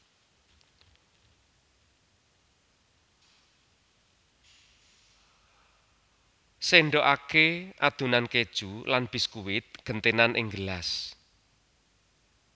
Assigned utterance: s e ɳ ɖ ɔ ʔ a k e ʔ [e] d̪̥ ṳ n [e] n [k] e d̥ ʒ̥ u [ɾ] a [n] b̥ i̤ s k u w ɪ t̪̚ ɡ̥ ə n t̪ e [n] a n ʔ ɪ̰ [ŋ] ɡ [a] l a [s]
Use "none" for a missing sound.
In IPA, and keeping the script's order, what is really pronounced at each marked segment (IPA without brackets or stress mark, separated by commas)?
a, a, k, l, n, n, ŋ, ə, s